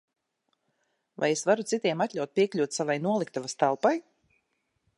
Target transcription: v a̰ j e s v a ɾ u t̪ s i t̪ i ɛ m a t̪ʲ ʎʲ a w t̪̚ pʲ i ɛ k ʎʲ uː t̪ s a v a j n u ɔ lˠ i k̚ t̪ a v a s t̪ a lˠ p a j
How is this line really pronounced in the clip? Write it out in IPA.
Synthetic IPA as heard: v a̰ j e s v a ɾ u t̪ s i t̪ i ɛ m a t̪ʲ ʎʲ a w t̪̚ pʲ i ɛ k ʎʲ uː t̪ s a v a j n u ɔ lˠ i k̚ t̪ a v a s t̪ a lˠ p a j